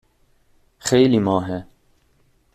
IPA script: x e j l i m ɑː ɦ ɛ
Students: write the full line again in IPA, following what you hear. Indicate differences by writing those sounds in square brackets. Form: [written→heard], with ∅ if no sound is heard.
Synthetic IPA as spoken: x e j l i m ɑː ɦ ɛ

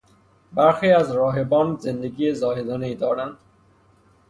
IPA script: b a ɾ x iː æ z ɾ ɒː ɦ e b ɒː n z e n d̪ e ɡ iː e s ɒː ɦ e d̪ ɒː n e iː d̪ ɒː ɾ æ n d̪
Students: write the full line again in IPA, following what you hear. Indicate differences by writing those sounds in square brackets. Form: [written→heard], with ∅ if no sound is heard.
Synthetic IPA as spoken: b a ɾ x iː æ z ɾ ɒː ɦ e b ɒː n z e n d̪ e ɡ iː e [s→z] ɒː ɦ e d̪ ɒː n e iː d̪ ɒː ɾ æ n d̪

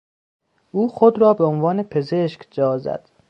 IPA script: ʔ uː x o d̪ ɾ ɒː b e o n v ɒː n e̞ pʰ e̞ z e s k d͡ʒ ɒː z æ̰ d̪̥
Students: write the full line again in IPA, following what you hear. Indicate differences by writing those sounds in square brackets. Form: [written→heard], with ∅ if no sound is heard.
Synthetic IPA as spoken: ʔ uː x o d̪ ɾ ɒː b e o n v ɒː n e̞ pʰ e̞ z e [s→ʃ] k d͡ʒ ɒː z æ̰ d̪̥

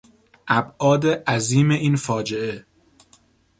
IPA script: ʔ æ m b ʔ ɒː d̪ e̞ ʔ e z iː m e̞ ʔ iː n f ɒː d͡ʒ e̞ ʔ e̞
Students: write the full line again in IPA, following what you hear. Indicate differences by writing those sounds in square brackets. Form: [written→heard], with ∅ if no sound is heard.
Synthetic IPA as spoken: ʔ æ [m→∅] b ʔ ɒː d̪ e̞ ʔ [e→æ] z iː m e̞ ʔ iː n f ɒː d͡ʒ e̞ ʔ e̞

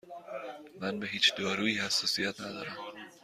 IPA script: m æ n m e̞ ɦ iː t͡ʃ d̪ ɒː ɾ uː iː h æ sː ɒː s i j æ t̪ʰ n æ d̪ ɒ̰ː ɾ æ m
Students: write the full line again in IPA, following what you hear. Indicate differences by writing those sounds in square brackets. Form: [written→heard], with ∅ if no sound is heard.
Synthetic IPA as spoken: m æ n [m→b] e̞ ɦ iː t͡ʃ d̪ ɒː ɾ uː iː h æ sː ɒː s i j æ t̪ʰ n æ d̪ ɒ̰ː ɾ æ m

